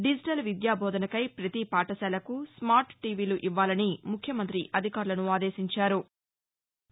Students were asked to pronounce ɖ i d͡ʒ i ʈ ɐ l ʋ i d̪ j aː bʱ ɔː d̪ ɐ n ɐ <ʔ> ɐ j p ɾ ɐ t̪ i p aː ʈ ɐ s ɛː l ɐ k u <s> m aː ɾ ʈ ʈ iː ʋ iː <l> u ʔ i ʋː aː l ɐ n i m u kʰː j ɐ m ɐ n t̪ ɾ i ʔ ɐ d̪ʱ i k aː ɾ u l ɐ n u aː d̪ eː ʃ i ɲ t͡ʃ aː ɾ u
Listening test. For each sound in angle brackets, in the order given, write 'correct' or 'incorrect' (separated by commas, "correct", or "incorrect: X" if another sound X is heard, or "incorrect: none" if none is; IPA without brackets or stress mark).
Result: incorrect: k, correct, correct